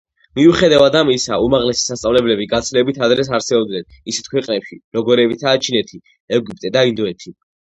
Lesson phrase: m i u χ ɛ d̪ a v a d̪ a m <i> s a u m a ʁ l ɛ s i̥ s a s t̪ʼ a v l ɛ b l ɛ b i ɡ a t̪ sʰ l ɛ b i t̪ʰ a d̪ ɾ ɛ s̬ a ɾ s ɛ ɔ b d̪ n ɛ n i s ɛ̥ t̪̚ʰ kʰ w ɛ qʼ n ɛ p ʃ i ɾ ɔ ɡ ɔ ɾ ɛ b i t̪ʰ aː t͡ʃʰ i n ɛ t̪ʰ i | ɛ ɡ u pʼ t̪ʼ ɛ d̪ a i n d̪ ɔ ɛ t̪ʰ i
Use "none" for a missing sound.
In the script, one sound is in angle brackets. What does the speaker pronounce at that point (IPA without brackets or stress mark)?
i